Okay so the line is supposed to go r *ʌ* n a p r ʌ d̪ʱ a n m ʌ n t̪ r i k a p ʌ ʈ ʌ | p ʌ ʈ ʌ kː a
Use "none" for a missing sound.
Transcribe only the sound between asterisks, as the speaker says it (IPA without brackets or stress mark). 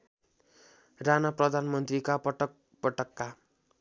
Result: a